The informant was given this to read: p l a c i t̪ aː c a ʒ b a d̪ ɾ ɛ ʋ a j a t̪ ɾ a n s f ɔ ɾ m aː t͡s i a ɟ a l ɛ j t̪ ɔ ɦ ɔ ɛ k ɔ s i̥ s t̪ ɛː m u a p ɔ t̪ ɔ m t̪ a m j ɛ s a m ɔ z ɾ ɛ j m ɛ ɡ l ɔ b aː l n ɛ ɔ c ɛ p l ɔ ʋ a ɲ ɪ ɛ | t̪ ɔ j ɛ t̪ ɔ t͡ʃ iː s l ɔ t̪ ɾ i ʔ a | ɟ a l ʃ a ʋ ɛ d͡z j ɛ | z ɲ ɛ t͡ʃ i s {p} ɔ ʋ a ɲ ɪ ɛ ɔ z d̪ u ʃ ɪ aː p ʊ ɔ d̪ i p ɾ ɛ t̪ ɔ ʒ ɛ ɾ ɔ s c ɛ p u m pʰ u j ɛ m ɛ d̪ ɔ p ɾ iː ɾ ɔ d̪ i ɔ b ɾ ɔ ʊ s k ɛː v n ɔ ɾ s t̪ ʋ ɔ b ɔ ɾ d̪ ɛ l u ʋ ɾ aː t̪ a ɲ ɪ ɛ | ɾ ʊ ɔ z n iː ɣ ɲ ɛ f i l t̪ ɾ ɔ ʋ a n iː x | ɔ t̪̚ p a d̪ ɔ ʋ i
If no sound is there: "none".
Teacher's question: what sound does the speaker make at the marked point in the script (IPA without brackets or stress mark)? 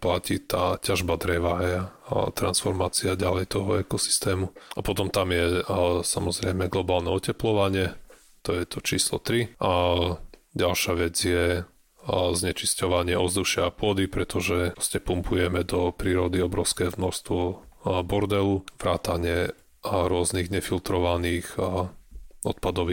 c